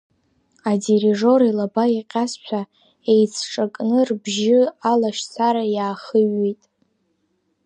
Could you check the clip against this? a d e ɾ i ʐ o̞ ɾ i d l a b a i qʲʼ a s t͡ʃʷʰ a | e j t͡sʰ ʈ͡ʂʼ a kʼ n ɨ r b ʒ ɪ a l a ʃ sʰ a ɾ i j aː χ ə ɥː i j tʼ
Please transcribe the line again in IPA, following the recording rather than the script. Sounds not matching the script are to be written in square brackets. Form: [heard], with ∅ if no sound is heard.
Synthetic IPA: a d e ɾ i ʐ o̞ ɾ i [∅] l a b a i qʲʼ a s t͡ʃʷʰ a | e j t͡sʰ ʈ͡ʂʼ a kʼ n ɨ r b ʒ ɪ a l a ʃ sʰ a ɾ [a] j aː χ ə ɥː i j tʼ